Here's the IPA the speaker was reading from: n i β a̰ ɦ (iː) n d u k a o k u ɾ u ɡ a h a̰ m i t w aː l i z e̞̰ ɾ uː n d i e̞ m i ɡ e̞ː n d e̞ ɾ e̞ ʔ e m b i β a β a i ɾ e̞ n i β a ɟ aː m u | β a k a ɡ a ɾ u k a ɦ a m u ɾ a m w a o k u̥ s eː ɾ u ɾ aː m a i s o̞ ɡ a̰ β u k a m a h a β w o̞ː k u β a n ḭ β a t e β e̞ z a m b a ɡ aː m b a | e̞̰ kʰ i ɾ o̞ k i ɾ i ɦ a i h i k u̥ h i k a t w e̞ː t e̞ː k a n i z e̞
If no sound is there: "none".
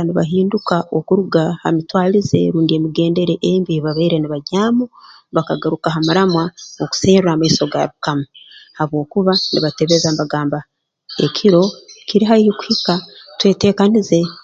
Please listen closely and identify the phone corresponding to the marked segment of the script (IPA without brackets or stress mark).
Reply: iː